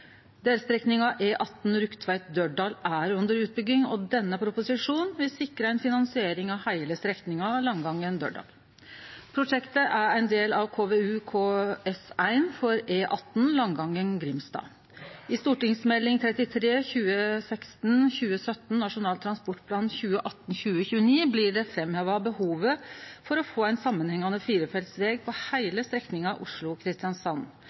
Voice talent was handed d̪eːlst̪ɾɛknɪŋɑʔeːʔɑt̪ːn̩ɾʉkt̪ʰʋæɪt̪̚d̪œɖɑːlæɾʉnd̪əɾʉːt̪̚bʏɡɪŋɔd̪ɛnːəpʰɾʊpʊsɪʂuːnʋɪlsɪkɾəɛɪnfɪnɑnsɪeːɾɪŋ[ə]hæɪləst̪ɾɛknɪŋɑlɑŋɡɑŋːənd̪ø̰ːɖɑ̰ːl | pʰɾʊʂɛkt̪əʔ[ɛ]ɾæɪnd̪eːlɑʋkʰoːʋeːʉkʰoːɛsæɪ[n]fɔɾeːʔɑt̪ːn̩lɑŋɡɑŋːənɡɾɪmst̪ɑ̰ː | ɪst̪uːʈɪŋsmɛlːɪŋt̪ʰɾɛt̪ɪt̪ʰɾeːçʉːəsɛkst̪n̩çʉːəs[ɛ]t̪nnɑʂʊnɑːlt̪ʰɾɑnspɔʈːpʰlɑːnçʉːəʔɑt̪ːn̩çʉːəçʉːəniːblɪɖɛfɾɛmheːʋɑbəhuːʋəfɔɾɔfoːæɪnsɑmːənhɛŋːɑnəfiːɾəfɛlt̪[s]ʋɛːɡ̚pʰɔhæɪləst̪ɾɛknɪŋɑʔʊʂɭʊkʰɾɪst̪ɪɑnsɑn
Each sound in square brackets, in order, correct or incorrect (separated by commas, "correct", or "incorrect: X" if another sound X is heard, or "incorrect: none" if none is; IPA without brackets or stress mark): incorrect: ɑ, incorrect: æ, correct, incorrect: œ, correct